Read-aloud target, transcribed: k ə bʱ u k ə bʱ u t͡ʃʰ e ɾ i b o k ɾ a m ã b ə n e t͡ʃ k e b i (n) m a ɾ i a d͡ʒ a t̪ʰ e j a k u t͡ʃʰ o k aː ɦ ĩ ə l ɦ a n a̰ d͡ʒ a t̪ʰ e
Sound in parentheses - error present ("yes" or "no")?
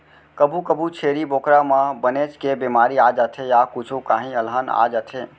yes